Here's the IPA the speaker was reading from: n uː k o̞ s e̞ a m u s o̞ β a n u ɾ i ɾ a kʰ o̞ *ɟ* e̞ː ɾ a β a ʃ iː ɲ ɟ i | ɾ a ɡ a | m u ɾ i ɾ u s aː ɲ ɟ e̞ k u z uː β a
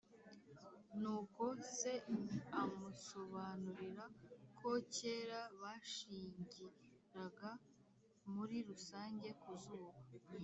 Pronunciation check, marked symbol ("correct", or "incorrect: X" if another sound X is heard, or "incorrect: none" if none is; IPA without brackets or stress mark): incorrect: c